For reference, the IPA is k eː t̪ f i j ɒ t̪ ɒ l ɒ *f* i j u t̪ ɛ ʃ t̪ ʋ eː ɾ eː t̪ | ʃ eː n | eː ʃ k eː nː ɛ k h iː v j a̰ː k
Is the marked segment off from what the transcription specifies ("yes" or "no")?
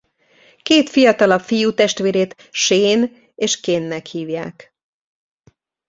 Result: no